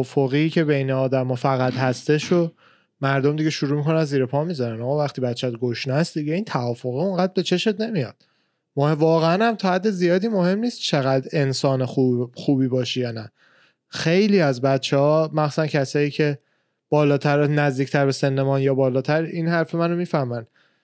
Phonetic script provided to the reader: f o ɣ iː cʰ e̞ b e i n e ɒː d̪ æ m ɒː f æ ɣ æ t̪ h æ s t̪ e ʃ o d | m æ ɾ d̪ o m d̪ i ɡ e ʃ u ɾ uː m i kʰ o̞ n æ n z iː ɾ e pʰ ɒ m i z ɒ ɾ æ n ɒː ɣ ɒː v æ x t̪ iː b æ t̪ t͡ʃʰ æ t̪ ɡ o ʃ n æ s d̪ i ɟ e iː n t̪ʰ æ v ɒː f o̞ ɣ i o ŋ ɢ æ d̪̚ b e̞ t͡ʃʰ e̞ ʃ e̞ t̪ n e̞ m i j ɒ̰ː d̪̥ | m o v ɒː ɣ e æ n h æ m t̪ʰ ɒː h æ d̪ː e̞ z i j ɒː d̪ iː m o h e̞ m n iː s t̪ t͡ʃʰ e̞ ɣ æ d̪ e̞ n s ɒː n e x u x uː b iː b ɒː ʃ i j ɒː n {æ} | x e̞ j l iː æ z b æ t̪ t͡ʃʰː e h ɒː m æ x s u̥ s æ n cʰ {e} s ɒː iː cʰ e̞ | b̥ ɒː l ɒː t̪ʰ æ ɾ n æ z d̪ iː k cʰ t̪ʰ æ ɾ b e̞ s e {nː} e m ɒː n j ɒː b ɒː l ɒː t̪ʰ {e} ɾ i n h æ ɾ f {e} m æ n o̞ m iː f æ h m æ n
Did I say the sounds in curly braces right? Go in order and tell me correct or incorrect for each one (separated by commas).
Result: correct, incorrect, correct, incorrect, correct